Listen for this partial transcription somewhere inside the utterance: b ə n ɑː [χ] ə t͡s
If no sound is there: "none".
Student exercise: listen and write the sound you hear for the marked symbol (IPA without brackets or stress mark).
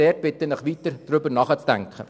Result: χ